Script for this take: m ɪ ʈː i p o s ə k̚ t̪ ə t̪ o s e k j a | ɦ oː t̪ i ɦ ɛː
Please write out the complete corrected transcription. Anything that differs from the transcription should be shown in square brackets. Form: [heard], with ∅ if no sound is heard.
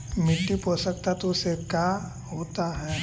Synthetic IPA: m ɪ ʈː i p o s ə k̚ t̪ [a] t̪ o s e k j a | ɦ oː t̪ [a] ɦ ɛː